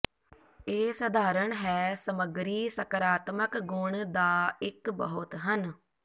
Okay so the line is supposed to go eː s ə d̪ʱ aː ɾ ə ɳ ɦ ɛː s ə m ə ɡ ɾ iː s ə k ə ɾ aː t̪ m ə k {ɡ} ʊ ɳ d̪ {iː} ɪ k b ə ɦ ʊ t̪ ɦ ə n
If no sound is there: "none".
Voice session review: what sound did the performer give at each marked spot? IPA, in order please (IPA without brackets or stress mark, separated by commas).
ɡ, aː